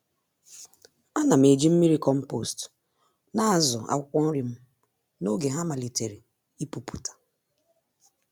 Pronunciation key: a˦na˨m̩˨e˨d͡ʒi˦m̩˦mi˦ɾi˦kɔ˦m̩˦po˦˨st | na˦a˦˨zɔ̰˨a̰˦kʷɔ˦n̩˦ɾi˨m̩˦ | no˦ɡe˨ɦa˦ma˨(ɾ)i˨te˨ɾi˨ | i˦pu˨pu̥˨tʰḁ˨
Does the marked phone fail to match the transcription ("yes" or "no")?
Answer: yes